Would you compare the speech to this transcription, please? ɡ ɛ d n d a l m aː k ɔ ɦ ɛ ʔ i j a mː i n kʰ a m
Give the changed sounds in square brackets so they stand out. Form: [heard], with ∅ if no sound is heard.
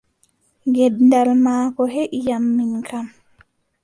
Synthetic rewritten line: ɡ ɛ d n d a l m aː k ɔ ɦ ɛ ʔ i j a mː i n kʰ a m